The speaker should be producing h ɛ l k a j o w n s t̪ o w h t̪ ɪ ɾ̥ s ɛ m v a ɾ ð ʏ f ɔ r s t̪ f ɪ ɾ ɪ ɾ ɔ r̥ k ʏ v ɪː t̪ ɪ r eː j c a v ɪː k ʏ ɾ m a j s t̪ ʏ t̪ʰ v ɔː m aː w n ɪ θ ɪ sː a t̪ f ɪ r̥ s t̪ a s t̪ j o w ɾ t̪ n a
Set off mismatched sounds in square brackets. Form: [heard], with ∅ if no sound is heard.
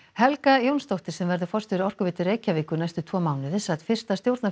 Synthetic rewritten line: h ɛ l k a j o w n s t̪ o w h t̪ ɪ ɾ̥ s ɛ m v [ɛ] ɾ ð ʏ f ɔ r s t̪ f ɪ ɾ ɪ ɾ ɔ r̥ k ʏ v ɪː t̪ ɪ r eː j c a v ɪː k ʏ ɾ [n] a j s t̪ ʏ t̪ʰ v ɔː m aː w n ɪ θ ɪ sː a t̪ f ɪ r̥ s t̪ a s t̪ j o w ɾ t̪ n a